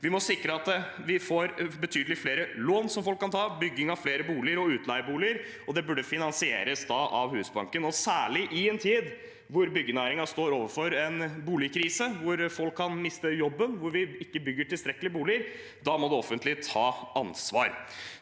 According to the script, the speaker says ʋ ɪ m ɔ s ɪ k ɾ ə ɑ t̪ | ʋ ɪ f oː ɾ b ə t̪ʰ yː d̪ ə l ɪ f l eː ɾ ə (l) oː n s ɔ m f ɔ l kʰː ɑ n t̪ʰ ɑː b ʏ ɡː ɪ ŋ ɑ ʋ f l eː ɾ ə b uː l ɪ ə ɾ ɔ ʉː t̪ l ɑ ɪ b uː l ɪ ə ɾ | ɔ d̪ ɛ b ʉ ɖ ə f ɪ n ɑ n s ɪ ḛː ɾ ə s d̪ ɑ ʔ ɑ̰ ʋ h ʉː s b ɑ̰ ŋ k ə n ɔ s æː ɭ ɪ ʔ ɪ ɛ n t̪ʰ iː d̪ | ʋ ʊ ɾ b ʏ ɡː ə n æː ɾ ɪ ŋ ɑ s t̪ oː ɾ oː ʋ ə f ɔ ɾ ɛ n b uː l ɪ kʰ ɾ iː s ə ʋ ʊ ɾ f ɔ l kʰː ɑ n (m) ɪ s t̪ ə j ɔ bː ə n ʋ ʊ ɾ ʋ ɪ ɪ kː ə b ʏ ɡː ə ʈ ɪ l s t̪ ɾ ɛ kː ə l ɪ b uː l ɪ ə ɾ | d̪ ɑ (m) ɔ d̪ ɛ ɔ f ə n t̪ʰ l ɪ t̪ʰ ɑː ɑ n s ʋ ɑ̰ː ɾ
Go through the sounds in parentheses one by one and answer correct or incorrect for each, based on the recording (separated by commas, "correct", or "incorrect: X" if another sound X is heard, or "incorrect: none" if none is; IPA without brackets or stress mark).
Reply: correct, correct, correct